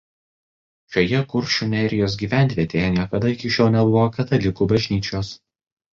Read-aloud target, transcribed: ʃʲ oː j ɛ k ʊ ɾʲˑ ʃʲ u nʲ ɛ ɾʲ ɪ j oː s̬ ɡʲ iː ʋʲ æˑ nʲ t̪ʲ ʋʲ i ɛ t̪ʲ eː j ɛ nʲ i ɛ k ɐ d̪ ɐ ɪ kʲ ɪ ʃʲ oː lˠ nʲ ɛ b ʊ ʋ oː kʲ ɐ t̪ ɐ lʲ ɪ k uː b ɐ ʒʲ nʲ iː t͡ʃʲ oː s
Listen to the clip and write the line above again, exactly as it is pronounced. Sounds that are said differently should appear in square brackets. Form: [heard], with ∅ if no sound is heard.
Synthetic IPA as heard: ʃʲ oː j ɛ k ʊ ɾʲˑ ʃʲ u nʲ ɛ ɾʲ ɪ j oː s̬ ɡʲ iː ʋʲ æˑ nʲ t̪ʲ ʋʲ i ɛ t̪ʲ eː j ɛ nʲ i ɛ k ɐ d̪ ɐ ɪ kʲ ɪ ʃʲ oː lˠ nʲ ɛ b ʊ ʋ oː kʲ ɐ t̪ ɐ lʲ ɪ k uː b ɐ ʒʲ nʲ iː t͡ʃʲ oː s